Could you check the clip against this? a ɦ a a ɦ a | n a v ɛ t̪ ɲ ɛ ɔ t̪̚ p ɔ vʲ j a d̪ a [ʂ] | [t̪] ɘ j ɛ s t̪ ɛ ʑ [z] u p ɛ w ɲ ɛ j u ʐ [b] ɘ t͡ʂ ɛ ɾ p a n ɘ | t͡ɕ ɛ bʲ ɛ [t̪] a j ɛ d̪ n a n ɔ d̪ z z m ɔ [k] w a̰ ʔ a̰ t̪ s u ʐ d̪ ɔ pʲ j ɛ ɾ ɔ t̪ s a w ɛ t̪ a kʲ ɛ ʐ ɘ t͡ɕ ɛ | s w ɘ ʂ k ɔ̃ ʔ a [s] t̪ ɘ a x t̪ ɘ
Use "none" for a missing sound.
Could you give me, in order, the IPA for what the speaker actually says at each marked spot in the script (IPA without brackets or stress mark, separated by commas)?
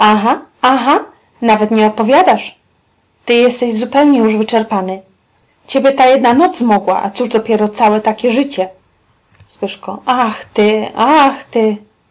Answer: ʂ, t̪, z, v, t̪, ɡ, x